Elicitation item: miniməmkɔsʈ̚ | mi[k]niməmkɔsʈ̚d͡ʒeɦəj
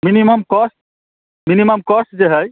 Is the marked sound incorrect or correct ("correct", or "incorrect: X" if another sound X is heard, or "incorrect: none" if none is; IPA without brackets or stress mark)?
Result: incorrect: none